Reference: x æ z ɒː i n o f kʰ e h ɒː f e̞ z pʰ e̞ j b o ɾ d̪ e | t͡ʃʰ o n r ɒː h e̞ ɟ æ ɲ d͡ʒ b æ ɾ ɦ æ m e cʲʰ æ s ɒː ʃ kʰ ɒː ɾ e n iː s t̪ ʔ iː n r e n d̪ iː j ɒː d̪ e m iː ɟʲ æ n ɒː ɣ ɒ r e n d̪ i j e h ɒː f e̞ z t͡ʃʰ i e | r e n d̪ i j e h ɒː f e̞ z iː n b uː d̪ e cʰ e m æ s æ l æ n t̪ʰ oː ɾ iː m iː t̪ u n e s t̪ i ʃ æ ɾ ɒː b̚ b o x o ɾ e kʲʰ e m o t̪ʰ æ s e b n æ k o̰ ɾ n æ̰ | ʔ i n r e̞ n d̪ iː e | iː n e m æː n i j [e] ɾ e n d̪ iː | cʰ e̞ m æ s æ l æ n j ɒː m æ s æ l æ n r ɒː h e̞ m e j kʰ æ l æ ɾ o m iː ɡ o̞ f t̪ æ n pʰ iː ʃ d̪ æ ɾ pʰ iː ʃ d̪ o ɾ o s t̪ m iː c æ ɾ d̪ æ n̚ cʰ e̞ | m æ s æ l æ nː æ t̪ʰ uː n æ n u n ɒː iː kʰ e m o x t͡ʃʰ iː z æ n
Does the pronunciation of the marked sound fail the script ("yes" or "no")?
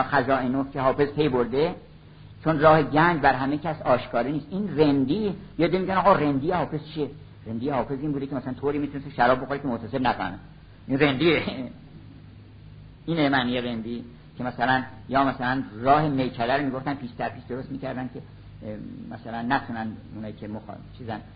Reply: no